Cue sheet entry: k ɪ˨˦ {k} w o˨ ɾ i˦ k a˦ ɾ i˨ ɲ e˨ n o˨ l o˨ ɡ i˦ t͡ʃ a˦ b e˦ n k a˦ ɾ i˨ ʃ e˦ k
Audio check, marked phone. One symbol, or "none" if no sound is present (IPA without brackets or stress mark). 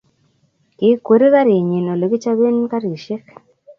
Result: k